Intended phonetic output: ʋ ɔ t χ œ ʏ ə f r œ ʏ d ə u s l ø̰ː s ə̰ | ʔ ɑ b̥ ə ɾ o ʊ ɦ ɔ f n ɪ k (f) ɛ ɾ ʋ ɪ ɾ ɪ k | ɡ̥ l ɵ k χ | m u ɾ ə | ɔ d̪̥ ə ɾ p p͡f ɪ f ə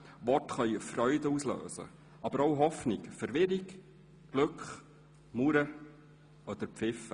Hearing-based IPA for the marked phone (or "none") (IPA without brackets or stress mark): f